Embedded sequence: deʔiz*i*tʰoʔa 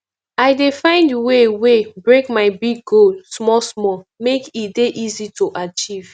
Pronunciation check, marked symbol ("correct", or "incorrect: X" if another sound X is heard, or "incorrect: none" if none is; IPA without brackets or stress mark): correct